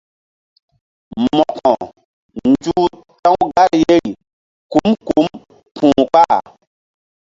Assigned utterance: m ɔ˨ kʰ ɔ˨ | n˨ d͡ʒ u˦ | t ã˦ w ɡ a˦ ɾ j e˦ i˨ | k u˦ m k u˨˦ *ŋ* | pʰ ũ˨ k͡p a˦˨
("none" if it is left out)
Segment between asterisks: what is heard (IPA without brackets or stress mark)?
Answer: m